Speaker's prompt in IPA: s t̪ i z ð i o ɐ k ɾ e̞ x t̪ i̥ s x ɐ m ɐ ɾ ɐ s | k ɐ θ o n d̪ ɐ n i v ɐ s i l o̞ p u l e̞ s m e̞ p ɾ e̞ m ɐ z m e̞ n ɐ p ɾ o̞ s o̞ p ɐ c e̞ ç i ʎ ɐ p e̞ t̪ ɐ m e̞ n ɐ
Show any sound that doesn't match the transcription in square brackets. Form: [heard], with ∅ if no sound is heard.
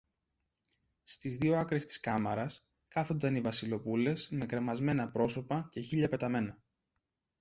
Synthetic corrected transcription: s t̪ i z ð i o ɐ k ɾ e̞ [s] t̪ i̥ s [k] ɐ m ɐ ɾ ɐ s | k ɐ θ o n d̪ ɐ n i v ɐ s i l o̞ p u l e̞ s m e̞ [k] ɾ e̞ m ɐ z m e̞ n ɐ p ɾ o̞ s o̞ p ɐ c e̞ ç i ʎ ɐ p e̞ t̪ ɐ m e̞ n ɐ